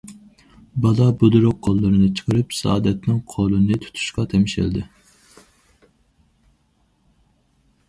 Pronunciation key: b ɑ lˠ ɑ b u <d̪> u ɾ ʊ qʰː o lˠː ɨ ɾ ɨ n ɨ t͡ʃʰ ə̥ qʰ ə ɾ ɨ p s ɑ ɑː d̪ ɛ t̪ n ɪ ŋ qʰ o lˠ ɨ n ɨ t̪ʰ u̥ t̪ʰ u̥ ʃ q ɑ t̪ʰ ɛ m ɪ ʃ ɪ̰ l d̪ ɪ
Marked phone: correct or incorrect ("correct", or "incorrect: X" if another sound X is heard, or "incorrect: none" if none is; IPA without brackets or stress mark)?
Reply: correct